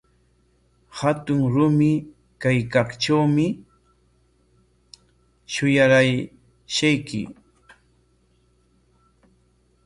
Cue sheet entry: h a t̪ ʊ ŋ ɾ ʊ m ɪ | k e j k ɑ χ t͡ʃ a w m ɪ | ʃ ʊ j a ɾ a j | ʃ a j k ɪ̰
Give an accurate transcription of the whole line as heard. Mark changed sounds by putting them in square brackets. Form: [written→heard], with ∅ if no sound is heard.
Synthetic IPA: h a t̪ ʊ ŋ ɾ ʊ m ɪ | k [e→a] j k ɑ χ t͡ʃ a w m ɪ | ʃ ʊ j a ɾ a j | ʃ a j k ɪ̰